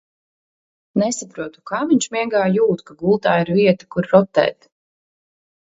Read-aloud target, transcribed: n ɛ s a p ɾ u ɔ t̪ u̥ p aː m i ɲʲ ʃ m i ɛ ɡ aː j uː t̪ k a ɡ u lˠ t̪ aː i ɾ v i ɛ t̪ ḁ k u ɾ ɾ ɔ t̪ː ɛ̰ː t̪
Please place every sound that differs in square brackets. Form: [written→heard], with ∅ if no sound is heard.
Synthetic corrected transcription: n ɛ s a p ɾ u ɔ t̪ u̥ [p→k] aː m i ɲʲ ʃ m i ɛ ɡ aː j uː t̪ k a ɡ u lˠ t̪ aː i ɾ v i ɛ t̪ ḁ k u ɾ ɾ ɔ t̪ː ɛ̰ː t̪